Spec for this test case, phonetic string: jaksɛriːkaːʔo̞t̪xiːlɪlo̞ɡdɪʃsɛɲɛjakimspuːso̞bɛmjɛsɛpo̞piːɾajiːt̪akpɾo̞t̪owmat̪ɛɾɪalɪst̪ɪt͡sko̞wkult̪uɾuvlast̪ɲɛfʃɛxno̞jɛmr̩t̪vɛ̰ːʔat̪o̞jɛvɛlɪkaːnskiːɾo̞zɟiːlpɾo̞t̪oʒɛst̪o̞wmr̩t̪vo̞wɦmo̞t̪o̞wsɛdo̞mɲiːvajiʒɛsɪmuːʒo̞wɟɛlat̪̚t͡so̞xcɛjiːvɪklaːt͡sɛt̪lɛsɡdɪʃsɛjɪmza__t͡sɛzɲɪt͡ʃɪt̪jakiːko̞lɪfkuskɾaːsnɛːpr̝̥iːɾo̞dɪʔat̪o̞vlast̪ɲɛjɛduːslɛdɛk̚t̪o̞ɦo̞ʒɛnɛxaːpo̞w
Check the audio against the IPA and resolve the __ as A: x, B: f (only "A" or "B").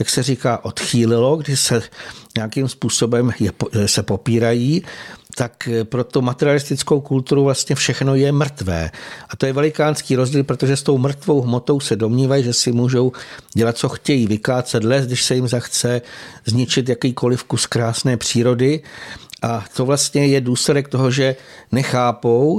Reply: A